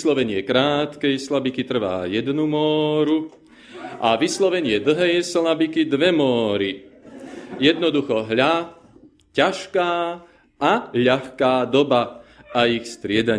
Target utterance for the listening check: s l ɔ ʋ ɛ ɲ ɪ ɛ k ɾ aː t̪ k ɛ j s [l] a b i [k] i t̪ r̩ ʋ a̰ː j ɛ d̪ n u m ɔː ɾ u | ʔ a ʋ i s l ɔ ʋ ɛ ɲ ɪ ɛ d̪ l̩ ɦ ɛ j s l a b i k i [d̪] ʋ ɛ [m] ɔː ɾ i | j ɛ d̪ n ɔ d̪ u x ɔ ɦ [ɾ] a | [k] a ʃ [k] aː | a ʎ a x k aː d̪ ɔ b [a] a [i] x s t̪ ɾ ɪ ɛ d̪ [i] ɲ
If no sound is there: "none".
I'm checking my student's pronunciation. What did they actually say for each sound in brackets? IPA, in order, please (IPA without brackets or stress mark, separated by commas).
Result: l, k, d̪, m, ʎ, c, k, a, i, a